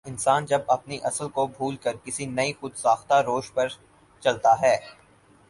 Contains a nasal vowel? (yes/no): no